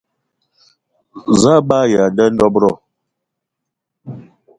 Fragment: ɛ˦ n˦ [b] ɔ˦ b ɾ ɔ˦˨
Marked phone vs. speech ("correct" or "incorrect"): incorrect